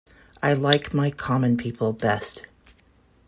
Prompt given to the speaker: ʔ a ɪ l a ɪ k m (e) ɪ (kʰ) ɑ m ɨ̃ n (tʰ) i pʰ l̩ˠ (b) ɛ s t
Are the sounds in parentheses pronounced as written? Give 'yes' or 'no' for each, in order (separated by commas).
no, yes, no, yes